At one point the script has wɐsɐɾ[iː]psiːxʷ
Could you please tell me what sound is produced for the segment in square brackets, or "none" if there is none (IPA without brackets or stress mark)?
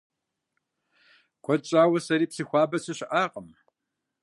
iː